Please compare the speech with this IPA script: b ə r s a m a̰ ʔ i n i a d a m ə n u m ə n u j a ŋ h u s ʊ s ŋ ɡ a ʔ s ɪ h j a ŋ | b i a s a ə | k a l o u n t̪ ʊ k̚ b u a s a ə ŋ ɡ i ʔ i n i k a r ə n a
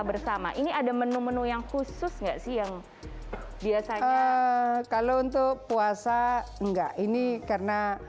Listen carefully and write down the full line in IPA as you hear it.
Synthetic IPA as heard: b ə r s a m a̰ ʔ i n i a d a m ə n u m ə n u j a ŋ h u s ʊ s ŋ ɡ a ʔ s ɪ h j a ŋ | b i a s a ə | k a l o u n t̪ ʊ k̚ p u a s a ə ŋ ɡ a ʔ i n i k a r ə n a